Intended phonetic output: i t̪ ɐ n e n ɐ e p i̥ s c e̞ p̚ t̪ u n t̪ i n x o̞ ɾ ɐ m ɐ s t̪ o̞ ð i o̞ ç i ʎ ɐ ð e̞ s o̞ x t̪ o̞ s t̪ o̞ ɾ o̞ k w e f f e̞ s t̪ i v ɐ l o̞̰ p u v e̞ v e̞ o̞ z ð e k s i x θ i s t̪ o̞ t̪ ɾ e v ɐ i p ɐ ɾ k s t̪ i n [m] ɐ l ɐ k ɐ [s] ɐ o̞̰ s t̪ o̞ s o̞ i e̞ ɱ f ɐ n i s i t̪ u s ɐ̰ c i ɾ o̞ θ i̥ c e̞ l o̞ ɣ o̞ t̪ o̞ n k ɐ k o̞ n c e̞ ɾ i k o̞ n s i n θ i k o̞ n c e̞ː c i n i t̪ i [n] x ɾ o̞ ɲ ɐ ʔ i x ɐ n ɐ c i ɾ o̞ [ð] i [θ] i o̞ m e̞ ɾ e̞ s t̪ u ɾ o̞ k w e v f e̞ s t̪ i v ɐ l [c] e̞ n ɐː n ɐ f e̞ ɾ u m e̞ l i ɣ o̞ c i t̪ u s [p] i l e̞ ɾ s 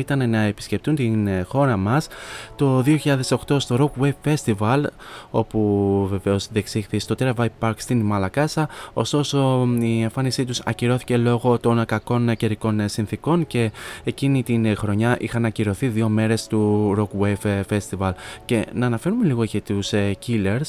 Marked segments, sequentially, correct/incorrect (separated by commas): correct, correct, correct, incorrect, incorrect, correct, incorrect